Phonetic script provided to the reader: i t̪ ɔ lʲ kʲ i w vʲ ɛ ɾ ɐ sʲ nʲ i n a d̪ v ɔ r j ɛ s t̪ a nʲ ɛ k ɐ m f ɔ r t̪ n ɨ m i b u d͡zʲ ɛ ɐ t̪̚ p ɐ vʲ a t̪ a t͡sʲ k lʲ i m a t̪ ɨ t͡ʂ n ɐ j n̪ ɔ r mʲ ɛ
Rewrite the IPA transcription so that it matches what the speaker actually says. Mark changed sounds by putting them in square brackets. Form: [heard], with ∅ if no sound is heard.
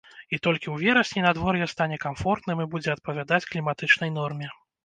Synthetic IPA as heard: i t̪ ɔ lʲ kʲ i w vʲ ɛ ɾ ɐ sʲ nʲ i n a d̪ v ɔ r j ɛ s t̪ a nʲ ɛ k [a] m f ɔ r t̪ n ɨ m i b u d͡zʲ ɛ ɐ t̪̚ p ɐ vʲ a [d̪] a t͡sʲ k lʲ i m a t̪ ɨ t͡ʂ n ɐ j n̪ ɔ r mʲ ɛ